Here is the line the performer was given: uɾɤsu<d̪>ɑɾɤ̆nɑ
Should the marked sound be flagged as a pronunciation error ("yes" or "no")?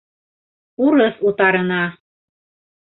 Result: yes